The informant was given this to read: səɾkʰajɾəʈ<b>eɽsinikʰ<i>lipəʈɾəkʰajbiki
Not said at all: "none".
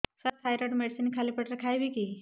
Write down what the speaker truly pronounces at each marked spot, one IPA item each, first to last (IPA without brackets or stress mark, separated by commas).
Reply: m, a